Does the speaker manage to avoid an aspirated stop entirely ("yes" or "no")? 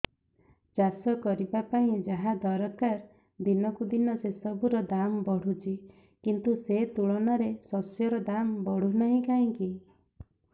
yes